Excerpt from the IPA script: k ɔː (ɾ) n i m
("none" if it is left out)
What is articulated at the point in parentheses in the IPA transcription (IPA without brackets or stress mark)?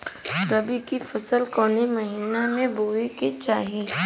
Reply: none